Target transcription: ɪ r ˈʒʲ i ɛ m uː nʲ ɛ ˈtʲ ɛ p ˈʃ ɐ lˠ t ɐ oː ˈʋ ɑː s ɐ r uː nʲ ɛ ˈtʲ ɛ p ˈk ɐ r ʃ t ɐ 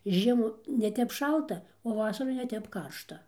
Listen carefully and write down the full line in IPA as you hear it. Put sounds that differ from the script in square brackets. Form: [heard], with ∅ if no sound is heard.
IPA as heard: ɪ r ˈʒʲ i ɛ m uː nʲ ɛ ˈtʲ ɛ p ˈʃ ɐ lˠ t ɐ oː ˈʋ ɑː s ɐ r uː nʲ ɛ ˈtʲ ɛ p ˈk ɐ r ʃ t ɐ